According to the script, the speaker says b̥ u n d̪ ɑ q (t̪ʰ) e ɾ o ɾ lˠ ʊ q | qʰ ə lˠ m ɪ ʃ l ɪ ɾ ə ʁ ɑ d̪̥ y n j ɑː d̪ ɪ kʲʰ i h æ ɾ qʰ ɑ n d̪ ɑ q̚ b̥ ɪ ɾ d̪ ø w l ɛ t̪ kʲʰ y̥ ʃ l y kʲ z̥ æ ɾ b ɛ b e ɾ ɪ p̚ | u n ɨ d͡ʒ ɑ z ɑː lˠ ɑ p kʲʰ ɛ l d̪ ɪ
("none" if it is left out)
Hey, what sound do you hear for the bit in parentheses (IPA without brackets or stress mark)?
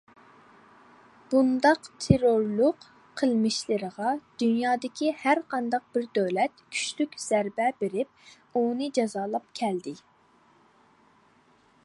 t̪ʰ